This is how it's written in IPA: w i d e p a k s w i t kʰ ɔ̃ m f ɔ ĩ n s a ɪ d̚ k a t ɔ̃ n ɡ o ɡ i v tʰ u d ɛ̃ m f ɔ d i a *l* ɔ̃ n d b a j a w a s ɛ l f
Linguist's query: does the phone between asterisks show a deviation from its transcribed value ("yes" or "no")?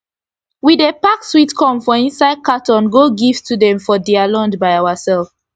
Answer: no